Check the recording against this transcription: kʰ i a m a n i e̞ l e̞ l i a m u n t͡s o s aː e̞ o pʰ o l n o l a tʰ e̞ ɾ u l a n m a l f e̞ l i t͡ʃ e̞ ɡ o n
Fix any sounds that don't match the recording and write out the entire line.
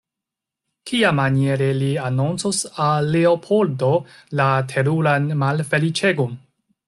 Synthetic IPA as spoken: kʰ i a m a n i e̞ ɾ e̞ l i a n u n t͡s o s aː e̞ o pʰ o l d o l a tʰ e̞ ɾ u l a n m a l f e̞ l i t͡ʃ e̞ ɡ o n